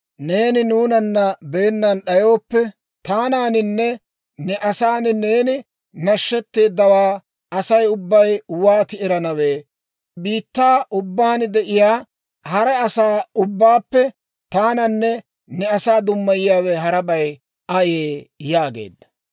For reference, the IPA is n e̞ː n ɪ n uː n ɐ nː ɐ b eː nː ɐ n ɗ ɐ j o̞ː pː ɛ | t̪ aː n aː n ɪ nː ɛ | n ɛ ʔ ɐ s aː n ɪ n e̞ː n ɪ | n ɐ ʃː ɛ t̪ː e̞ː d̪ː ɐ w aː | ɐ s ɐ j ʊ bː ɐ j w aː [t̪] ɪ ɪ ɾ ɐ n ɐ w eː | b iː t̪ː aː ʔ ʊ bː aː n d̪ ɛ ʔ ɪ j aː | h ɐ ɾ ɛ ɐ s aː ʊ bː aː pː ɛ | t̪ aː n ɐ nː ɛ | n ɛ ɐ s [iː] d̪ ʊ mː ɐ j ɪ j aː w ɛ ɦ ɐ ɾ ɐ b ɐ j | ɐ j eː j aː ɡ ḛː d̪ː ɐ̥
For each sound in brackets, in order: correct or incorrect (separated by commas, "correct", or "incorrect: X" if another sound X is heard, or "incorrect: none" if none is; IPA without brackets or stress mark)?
correct, incorrect: aː